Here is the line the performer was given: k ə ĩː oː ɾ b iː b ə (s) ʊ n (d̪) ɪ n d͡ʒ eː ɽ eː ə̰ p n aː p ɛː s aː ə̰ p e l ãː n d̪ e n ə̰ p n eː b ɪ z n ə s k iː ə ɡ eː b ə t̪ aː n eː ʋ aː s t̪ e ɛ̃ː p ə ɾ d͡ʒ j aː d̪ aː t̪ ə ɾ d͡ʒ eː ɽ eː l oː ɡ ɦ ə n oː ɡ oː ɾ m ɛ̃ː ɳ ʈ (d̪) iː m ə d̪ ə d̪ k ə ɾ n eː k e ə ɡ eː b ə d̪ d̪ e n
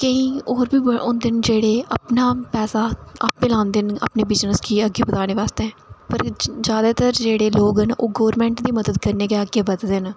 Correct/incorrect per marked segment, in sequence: incorrect: none, correct, correct

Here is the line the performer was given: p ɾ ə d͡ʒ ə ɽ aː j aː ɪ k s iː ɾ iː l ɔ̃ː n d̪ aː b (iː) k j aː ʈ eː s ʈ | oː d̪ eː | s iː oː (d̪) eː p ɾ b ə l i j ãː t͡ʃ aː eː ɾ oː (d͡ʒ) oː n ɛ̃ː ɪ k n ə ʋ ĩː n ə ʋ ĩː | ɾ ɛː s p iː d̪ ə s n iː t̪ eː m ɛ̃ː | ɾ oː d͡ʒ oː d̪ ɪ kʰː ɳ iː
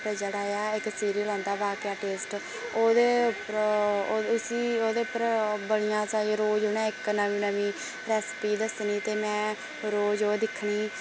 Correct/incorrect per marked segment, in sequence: incorrect: aː, correct, correct

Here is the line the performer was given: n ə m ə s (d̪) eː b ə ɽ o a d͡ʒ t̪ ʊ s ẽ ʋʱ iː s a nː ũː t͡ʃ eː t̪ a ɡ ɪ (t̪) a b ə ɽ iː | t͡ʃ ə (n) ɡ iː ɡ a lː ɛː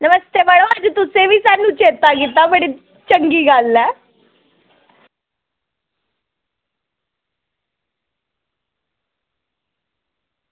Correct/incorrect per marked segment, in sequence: incorrect: t̪, correct, incorrect: ŋ

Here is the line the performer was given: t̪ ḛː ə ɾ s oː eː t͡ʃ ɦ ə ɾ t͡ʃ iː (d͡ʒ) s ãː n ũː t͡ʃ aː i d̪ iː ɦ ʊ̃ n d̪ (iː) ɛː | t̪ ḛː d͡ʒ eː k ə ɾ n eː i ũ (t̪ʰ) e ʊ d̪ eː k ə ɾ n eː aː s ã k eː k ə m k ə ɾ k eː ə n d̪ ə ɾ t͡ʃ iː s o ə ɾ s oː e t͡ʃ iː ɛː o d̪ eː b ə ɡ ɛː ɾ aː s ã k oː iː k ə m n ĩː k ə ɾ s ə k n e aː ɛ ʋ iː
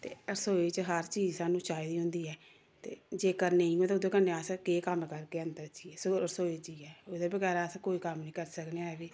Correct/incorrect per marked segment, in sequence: correct, correct, incorrect: t̪

